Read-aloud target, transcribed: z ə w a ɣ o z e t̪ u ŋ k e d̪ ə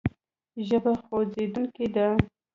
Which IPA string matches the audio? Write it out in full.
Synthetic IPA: ʒ ə b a x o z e d̪ u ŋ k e d̪ a